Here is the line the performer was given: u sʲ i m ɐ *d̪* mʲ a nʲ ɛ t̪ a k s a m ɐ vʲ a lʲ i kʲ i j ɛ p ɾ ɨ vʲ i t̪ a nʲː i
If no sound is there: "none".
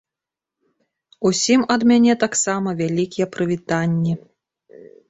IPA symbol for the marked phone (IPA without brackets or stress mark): d̪